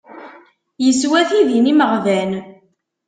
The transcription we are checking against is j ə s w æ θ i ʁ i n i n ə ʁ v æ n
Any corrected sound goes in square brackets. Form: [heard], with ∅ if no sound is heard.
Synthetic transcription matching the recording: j ə s w æ θ i [ð] i n i [m] ə ʁ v æ n